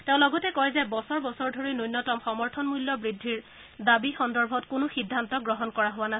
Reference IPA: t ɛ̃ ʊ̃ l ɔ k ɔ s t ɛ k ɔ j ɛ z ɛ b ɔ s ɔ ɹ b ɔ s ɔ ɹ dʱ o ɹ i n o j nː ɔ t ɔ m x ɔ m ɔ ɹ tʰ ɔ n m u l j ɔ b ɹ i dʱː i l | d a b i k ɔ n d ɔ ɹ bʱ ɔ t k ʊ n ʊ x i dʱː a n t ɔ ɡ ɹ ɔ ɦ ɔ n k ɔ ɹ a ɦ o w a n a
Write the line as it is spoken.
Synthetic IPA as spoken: t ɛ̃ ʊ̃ l ɔ ɡ ɔ t ɛ k ɔ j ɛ z ɛ b ɔ s ɔ ɹ b ɔ s ɔ ɹ dʱ o ɹ i n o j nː ɔ t ɔ m x ɔ m ɔ ɹ tʰ ɔ n m u l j ɔ b ɹ i dʱː i ɹ | d a b i x ɔ n d ɔ ɹ bʱ ɔ t k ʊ n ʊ x i dʱː a n t ɔ ɡ ɹ ɔ ɦ ɔ n k ɔ ɹ a ɦ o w a n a